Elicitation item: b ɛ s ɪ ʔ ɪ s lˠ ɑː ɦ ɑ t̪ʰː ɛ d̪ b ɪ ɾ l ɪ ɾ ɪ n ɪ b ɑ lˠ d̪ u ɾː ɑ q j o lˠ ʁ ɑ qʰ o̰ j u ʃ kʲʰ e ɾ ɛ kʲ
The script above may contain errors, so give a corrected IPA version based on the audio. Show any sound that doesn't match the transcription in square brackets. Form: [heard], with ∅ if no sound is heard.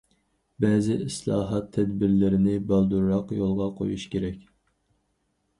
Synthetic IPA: b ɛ [z] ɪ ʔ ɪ s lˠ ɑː ɦ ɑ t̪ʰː ɛ d̪ b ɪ ɾ l ɪ ɾ ɪ n ɪ b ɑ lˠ d̪ u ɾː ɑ q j o lˠ ʁ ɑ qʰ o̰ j u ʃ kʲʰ e ɾ ɛ kʲ